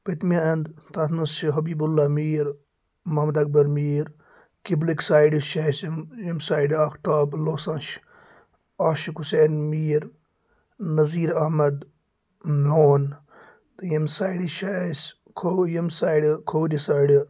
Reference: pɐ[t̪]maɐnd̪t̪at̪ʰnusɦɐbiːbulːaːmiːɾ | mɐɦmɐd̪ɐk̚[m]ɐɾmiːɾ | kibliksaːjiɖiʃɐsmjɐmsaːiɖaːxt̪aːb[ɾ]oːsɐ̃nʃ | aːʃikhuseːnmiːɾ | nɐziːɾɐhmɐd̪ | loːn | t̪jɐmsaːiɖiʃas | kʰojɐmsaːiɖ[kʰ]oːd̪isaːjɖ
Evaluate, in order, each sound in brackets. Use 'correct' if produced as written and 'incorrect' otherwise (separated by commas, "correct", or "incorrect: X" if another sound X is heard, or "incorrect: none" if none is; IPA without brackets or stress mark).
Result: correct, incorrect: b, incorrect: l, correct